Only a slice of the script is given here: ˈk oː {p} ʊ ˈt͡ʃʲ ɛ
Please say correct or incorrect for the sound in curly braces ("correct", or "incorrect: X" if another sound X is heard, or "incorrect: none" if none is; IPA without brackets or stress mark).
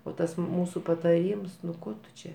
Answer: incorrect: t